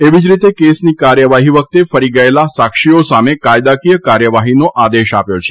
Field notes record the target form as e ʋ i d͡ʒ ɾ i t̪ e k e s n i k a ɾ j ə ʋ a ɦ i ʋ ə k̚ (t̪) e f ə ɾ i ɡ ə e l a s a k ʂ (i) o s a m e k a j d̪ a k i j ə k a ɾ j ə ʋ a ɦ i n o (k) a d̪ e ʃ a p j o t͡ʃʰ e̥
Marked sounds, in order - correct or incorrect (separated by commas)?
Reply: correct, correct, incorrect